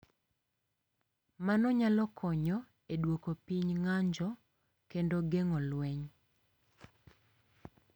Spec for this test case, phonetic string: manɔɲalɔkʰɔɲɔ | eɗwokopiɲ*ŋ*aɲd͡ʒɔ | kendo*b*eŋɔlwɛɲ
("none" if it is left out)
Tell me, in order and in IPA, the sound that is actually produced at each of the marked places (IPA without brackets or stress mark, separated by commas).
ŋ, ɡ